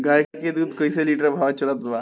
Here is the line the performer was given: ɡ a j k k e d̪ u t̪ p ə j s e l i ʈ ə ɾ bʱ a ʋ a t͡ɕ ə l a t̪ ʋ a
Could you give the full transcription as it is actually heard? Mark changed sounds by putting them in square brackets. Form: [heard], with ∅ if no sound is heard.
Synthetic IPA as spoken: ɡ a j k k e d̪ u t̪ [k] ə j s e l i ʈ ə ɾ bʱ a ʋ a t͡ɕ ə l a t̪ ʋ a

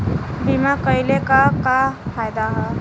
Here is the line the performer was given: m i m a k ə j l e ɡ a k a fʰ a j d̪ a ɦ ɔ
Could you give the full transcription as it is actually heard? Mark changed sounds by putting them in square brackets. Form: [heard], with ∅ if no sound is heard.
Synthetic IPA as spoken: [b] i m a k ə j l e [k] a k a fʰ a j d̪ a ɦ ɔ

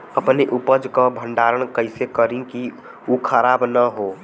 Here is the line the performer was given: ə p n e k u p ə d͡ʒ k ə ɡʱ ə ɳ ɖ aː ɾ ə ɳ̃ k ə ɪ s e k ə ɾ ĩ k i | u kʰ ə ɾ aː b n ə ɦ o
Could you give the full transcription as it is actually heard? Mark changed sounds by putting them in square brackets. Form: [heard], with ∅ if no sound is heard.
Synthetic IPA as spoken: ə p n e [ʔ] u p ə d͡ʒ k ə [bʱ] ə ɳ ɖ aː ɾ ə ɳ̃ k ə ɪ s e k ə ɾ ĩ k i | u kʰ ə ɾ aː b n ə ɦ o

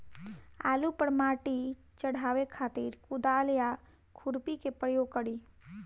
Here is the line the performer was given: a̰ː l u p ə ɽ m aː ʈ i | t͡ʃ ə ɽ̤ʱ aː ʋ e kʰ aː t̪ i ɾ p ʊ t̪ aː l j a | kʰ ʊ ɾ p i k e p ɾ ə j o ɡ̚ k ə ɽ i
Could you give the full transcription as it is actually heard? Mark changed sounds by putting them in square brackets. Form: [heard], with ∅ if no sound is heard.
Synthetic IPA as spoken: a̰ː l u p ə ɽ m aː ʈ i | t͡ʃ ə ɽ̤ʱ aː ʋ e kʰ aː t̪ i ɾ [k] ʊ [d̪] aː l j a | kʰ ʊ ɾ p i k e p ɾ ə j o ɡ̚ k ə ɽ i

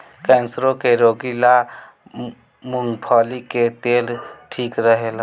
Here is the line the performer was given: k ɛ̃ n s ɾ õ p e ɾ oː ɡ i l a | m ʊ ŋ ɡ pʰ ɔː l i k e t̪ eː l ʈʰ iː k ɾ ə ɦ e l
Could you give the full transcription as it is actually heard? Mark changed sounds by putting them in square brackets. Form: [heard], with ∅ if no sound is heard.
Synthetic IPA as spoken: k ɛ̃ n s ɾ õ [k] e ɾ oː ɡ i l a | m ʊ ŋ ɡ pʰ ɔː l i k e t̪ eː l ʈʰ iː k ɾ ə ɦ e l

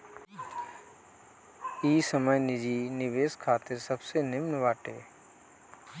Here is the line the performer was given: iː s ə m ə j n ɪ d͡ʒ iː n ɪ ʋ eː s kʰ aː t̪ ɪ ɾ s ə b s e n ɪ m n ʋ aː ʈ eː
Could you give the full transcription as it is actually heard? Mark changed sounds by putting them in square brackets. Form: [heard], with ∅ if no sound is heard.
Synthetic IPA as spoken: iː s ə m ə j n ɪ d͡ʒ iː n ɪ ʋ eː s kʰ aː t̪ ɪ ɾ s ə b s e n ɪ m n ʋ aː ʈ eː

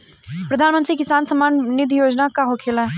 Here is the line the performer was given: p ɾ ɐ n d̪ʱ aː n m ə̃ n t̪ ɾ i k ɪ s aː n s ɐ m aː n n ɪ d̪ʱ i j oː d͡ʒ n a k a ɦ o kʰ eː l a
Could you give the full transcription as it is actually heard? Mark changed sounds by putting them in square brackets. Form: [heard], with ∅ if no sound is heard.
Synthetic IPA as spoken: p ɾ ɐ [∅] d̪ʱ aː n m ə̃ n t̪ ɾ i k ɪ s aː n s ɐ m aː n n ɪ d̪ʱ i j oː d͡ʒ n a k a ɦ o kʰ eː l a

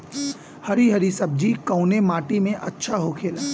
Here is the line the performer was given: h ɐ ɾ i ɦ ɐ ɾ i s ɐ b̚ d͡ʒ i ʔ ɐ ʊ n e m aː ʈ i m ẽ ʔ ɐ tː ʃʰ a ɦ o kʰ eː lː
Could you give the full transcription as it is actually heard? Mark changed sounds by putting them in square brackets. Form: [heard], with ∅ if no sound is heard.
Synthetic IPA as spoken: h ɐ ɾ i ɦ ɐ ɾ i s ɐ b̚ d͡ʒ i [k] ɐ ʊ n e m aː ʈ i m ẽ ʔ ɐ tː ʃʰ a ɦ o kʰ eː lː

